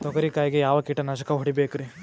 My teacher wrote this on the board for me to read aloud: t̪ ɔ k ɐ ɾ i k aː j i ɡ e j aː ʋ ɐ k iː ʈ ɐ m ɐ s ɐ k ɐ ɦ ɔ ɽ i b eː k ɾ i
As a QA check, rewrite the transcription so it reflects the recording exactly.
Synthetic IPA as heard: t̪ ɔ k ɐ ɾ i k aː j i ɡ e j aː ʋ ɐ k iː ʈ ɐ n ɐ ʃ ɐ k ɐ ɦ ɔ ɽ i b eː k ɾ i